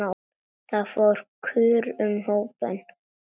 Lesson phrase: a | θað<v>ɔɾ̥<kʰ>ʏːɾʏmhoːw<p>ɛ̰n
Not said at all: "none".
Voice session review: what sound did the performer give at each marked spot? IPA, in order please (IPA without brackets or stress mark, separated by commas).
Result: f, kʰ, p